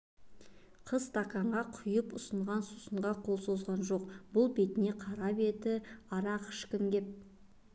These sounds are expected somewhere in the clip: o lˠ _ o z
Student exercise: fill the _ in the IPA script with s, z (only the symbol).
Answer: s